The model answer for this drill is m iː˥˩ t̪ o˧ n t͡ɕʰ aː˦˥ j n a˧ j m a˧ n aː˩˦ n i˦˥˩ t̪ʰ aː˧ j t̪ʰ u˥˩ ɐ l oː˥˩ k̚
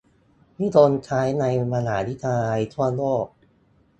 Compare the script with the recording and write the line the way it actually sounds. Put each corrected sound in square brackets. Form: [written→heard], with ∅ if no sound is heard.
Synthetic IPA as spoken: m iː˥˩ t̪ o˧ n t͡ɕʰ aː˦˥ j n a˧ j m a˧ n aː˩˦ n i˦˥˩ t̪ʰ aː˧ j t̪ʰ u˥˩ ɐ l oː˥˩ k̚